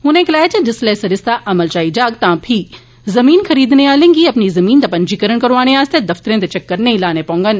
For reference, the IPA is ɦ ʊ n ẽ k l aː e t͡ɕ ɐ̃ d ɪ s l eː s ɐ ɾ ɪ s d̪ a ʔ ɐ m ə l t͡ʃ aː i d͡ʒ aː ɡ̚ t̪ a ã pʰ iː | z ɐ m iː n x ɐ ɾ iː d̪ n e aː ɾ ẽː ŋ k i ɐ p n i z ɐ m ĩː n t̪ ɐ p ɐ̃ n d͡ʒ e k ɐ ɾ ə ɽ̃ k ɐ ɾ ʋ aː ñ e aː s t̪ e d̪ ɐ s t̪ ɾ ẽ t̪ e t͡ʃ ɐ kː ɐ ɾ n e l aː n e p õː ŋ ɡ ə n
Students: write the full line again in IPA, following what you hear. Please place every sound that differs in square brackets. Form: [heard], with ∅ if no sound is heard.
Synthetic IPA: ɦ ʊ n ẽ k l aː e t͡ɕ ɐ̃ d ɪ s l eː s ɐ ɾ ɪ s [t̪] a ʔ ɐ m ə l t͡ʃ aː i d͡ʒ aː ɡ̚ t̪ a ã pʰ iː | z ɐ m iː n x ɐ ɾ iː d̪ n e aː [l] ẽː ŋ [ɡ] i ɐ p n i z ɐ m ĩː n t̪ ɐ p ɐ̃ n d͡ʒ [i] k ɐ ɾ ə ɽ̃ k ɐ ɾ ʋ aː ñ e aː s t̪ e d̪ ɐ [f] t̪ ɾ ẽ t̪ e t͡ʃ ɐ kː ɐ ɾ n e l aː n e p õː ŋ ɡ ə n